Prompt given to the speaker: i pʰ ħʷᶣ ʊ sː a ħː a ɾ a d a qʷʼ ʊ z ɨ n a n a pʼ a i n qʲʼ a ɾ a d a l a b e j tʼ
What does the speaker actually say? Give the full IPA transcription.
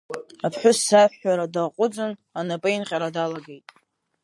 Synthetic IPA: a pʰ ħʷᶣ ʊ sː a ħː a ɾ a d a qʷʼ ʊ d͡z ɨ n a n a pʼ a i n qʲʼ a ɾ a d a l a ɡ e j tʼ